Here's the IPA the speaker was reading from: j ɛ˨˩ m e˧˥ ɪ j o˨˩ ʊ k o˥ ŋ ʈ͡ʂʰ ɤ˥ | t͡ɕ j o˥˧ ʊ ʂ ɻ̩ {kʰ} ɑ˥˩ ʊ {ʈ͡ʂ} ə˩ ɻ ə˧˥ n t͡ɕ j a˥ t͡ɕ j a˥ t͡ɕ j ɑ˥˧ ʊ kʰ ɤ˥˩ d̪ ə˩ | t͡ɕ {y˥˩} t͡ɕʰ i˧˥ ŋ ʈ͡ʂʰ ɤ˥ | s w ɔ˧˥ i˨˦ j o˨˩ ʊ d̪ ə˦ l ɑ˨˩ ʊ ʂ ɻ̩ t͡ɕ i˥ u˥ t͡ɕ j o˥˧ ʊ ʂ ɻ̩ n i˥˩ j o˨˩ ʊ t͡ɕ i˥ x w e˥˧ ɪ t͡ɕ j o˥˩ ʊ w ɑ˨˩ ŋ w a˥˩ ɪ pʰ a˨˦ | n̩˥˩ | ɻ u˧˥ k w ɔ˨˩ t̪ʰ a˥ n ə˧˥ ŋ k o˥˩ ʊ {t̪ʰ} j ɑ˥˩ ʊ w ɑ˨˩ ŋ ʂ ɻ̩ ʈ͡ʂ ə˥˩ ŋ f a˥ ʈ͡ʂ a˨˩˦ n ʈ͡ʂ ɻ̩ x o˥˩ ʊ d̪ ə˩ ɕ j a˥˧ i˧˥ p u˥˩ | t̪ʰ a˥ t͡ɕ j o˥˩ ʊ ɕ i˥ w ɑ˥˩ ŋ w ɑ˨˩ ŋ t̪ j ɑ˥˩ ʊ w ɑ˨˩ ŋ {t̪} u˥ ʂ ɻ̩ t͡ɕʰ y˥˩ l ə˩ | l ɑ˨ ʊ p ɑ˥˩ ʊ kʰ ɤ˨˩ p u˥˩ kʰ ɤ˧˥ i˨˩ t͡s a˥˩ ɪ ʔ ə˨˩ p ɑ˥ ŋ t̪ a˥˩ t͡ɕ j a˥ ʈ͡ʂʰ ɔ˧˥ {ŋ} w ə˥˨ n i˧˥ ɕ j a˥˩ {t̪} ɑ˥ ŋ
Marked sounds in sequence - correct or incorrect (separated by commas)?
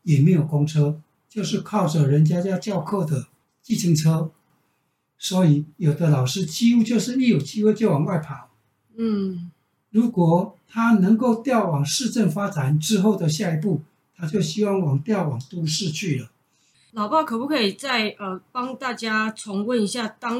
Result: correct, correct, incorrect, incorrect, correct, correct, correct